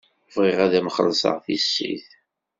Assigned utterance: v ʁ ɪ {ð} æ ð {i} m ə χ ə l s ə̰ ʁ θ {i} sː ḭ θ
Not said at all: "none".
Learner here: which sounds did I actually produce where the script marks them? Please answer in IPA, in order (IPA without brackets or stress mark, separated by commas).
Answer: ʁ, æ, i